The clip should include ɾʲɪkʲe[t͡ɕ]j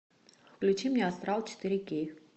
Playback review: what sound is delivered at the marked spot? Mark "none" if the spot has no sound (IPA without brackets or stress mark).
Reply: none